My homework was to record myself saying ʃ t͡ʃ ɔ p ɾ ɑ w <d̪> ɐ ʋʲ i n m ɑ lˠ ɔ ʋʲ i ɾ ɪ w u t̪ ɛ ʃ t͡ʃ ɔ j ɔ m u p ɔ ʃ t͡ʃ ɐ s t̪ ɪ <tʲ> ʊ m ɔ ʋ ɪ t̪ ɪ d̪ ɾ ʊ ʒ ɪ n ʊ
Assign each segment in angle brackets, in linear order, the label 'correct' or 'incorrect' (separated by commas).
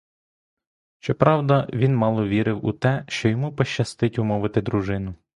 correct, correct